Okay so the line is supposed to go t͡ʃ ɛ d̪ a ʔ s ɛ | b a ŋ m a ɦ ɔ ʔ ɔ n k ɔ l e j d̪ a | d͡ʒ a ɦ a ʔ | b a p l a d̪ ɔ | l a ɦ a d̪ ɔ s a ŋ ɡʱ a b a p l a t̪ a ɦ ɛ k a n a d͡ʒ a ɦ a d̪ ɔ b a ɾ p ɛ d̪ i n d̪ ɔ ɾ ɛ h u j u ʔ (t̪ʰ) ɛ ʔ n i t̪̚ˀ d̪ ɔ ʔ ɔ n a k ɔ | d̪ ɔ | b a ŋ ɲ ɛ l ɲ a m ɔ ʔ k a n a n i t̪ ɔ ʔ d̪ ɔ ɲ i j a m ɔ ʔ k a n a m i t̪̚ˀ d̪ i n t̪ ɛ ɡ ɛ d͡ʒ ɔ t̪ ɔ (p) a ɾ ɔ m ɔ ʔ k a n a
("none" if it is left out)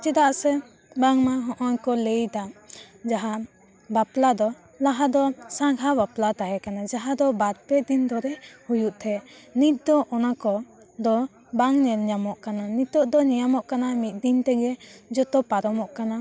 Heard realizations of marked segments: t̪ʰ, p

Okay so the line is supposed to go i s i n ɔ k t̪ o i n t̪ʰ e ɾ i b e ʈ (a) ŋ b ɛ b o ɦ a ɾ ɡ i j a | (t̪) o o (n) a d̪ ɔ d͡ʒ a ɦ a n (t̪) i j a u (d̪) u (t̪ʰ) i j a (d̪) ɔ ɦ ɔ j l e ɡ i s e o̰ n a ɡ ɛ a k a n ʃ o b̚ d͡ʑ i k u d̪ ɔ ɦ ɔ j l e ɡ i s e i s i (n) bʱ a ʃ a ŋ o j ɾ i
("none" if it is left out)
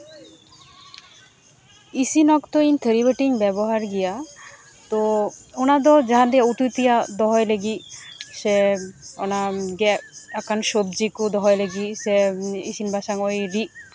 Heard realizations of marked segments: i, t̪, n, d̪, t̪, t̪, d̪, n

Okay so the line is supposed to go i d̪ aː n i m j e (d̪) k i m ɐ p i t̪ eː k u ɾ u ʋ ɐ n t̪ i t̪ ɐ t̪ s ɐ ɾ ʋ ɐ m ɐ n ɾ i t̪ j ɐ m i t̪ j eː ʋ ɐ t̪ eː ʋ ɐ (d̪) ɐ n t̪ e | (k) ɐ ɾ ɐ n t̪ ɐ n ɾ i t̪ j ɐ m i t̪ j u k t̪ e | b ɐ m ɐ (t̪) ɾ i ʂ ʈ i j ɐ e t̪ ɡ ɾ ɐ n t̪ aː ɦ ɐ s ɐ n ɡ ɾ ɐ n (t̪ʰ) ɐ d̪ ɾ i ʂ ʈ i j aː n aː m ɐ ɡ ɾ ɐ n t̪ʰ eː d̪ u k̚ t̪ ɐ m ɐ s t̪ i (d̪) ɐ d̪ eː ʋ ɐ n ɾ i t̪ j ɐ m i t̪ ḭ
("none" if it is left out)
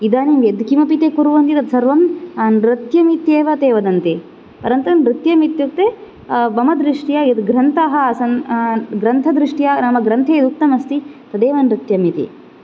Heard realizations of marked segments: d̪, d̪, p, d̪, t̪ʰ, t̪

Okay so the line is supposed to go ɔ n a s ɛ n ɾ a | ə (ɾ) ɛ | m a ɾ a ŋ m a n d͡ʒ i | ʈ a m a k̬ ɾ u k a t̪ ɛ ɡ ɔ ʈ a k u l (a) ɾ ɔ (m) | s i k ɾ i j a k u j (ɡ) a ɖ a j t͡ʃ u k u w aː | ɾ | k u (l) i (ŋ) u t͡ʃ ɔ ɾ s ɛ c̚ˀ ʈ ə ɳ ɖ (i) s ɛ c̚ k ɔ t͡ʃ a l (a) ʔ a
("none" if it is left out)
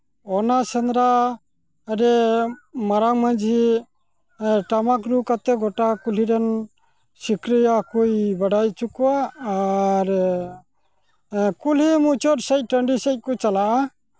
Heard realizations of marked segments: ɾ, i, n, b, l, m, i, a

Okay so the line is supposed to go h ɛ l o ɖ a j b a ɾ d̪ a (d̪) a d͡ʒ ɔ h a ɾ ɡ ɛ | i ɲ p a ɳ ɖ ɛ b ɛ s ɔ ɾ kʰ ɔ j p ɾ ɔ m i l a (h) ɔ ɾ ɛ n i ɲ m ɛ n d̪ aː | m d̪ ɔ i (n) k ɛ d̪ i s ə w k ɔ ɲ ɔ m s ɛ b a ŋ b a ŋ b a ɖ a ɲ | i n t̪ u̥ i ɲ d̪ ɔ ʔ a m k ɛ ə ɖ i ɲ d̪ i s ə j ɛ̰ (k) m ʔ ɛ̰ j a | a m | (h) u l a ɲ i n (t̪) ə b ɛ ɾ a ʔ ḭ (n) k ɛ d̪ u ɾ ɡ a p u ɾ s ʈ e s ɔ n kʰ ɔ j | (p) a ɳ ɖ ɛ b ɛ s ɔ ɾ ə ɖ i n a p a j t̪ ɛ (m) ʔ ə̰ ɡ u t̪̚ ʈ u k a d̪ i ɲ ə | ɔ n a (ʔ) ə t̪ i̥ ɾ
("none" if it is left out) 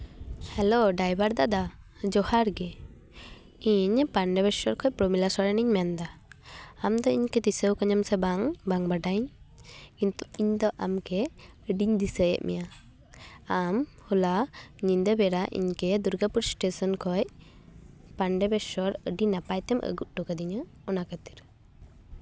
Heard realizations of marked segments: d̪, s, ɲ, ʔ, h, d̪, ɲ, p, m, k

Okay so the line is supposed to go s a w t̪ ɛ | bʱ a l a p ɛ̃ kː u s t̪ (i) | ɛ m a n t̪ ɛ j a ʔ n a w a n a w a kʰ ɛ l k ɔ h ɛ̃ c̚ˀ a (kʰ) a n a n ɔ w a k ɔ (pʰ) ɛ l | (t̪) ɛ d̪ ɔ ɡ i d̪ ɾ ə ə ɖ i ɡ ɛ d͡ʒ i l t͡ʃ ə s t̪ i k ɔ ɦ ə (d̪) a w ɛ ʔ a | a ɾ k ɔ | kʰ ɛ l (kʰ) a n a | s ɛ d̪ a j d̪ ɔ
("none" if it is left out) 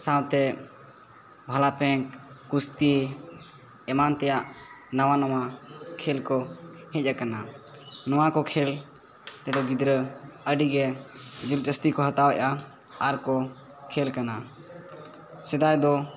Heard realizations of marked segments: i, k, kʰ, t̪, t̪, k

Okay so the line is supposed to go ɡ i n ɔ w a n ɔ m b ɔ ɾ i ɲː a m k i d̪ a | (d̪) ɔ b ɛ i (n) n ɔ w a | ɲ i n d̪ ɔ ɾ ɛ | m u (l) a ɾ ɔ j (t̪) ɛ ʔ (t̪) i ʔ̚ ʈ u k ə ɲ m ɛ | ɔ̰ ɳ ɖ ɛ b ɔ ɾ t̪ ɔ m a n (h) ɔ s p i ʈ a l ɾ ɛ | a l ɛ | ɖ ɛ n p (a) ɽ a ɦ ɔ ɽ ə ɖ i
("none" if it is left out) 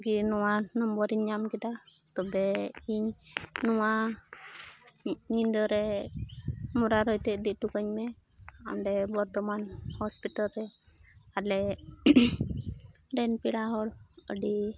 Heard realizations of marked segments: t̪, ɲ, ɾ, t̪, d̪, h, i

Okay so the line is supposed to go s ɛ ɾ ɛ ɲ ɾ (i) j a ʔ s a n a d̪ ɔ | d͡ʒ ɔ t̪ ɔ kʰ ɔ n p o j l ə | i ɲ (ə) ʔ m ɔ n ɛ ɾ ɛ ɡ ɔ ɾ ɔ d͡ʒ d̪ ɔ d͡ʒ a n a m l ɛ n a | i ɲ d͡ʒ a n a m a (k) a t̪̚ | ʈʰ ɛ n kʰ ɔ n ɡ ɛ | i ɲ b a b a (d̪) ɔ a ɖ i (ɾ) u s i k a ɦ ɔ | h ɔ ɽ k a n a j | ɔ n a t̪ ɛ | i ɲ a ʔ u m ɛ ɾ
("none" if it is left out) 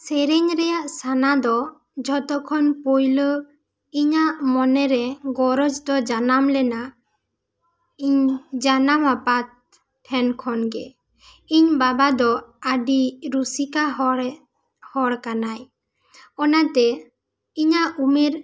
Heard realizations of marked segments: ɛ, a, p, d̪, ɾ

